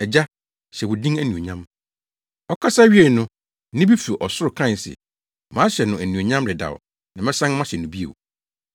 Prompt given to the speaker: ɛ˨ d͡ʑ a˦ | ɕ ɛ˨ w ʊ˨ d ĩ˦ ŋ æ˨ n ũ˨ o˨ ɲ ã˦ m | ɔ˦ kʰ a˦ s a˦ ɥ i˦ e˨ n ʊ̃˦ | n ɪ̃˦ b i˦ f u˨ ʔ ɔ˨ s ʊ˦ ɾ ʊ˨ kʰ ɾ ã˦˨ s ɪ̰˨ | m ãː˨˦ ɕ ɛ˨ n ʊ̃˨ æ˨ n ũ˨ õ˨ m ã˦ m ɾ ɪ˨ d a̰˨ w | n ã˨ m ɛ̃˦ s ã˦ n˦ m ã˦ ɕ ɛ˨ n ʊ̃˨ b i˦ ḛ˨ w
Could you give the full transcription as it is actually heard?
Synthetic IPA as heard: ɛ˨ d͡ʑ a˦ | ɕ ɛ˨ w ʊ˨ d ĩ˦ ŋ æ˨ n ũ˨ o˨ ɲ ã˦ m | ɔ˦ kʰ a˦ s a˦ ɥ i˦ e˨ n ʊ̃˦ | n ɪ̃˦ b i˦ f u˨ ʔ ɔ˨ s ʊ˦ ɾ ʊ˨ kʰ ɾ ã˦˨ s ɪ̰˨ | m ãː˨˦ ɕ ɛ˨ n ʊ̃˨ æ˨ n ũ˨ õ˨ ɲ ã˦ m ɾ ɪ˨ d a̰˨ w | n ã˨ m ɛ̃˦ s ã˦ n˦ m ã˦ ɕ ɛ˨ n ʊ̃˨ b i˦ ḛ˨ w